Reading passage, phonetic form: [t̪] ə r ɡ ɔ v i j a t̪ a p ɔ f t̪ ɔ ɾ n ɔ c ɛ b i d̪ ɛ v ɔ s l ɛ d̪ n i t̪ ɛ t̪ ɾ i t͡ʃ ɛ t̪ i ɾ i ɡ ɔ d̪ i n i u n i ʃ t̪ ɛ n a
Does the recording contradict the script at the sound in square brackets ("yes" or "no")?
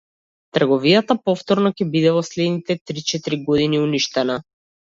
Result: no